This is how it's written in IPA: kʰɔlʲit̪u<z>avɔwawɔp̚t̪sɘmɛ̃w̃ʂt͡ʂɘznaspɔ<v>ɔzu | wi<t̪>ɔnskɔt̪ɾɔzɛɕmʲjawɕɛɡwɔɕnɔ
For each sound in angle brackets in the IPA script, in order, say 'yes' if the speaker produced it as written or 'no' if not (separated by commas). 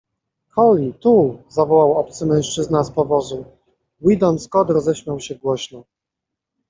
yes, yes, no